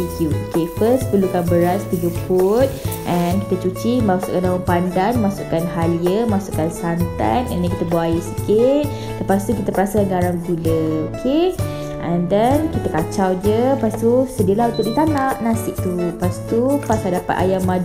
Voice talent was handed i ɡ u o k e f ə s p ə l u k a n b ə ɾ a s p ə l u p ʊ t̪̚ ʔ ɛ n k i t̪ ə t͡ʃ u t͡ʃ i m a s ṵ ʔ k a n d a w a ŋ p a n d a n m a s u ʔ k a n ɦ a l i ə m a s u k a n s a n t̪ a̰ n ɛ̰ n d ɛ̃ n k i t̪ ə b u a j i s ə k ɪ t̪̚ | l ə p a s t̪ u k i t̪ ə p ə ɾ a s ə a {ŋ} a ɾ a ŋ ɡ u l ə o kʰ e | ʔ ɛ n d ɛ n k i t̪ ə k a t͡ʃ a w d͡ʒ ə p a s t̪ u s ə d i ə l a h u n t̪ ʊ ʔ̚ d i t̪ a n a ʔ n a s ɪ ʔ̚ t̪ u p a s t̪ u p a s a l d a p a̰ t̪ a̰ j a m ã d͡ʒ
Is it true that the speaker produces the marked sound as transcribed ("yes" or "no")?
no